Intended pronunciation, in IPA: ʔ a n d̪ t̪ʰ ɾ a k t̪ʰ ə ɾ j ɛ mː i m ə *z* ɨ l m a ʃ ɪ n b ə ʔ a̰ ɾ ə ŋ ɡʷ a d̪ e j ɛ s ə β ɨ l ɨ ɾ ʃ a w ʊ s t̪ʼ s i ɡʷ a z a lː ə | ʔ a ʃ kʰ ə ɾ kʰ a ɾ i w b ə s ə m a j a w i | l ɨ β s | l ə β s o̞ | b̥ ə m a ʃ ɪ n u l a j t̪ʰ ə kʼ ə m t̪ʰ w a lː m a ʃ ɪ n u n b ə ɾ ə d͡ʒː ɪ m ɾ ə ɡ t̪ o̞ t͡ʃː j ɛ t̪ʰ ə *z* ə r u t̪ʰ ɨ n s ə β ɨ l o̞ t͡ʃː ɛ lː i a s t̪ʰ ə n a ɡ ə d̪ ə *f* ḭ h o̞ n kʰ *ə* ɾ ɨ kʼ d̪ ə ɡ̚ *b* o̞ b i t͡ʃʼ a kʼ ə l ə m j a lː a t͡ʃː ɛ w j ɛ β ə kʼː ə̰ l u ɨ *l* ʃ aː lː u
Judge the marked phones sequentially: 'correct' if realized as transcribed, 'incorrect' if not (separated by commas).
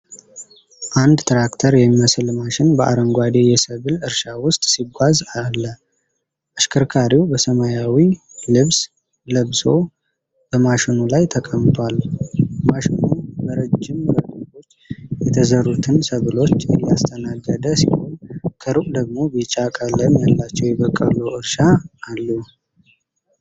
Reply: incorrect, correct, incorrect, correct, incorrect, incorrect